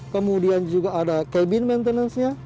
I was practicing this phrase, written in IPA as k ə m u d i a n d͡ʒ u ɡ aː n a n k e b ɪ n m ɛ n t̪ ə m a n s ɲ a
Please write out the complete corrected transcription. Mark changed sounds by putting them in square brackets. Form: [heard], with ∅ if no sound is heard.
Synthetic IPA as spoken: k ə m u d i a n d͡ʒ u ɡ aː [d] a [∅] k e b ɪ n m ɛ n t̪ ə [n] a n s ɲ a